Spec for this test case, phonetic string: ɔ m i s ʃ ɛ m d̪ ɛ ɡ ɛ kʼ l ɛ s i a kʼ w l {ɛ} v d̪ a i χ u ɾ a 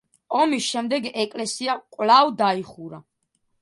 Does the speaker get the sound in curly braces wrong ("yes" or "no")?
yes